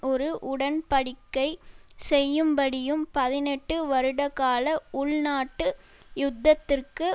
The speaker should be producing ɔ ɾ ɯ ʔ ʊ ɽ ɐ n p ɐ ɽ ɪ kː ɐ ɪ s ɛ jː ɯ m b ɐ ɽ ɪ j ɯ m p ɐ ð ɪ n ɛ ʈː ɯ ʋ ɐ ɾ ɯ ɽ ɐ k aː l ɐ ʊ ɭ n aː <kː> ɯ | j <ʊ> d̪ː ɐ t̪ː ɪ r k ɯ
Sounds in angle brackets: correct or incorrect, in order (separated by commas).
incorrect, correct